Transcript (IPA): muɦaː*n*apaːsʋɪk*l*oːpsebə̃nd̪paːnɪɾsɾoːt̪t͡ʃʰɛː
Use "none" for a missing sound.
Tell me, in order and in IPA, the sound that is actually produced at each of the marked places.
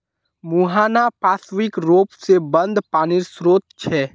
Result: n, ɾ

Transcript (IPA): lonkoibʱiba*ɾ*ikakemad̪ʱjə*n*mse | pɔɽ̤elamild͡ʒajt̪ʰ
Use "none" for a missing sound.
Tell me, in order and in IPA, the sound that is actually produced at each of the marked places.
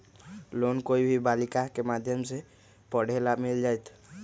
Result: l, none

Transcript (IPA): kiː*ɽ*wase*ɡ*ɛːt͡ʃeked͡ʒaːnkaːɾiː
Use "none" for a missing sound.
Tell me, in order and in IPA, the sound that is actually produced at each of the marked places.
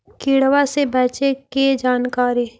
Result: ɽ, b

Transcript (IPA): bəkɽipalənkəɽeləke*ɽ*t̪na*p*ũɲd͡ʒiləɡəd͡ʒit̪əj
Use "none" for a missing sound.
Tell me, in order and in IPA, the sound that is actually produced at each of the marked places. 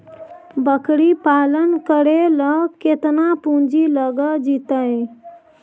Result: none, p

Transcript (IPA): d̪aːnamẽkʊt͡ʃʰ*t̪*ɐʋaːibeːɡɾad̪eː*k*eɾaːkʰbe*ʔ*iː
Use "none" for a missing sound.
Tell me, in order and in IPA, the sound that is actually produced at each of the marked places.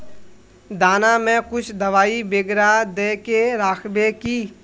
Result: d̪, k, k

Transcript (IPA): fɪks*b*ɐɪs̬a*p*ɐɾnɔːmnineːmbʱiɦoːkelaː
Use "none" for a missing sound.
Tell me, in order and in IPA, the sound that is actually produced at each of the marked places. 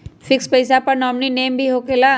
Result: p, p

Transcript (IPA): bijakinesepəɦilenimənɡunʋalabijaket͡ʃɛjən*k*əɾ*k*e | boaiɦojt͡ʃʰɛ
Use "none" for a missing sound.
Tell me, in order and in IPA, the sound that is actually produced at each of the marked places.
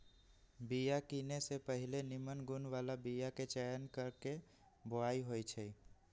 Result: k, k

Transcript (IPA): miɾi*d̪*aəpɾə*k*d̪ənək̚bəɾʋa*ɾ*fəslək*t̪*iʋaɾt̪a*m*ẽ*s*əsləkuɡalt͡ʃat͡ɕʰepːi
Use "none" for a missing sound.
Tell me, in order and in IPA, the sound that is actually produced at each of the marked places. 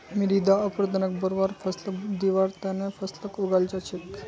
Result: d̪, none, ɾ, d̪, n, f

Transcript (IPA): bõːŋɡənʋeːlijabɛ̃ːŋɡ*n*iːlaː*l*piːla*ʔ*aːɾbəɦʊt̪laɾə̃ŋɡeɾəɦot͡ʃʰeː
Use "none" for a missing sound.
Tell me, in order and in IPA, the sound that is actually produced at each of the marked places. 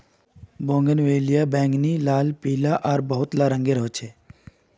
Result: n, l, ʔ

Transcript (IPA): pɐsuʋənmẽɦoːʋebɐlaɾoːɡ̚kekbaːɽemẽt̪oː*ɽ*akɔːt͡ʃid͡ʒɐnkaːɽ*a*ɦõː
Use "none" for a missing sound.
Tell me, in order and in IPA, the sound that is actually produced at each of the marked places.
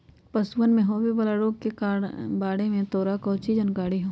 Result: ɾ, i

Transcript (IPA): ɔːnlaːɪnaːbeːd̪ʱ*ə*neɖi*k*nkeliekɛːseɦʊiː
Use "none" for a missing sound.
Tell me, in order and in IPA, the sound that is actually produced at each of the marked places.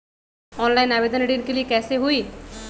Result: ə, none

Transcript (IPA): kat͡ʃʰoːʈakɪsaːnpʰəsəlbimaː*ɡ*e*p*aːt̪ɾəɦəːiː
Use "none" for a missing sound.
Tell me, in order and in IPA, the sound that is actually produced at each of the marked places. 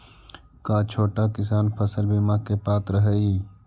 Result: k, p

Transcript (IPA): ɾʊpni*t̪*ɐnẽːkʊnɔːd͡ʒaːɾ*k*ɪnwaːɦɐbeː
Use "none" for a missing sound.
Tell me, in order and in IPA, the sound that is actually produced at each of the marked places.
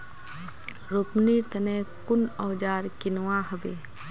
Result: t̪, k

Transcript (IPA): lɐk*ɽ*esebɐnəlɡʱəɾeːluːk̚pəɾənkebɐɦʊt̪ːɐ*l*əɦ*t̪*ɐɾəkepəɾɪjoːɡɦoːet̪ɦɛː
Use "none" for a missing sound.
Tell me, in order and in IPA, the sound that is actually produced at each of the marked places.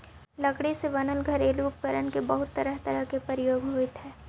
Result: ɽ, ɾ, t̪

